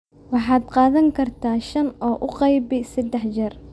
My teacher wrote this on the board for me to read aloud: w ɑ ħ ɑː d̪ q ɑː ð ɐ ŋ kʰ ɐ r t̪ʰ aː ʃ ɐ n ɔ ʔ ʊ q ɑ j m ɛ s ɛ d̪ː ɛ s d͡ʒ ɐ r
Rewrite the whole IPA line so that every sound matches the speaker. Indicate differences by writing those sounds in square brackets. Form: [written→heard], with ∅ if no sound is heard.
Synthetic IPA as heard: w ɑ ħ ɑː d̪ q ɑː ð ɐ ŋ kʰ ɐ r t̪ʰ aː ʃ ɐ n [ɔ→ɔː] ʔ ʊ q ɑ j [m→b] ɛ s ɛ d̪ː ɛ [s→ħ] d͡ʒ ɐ r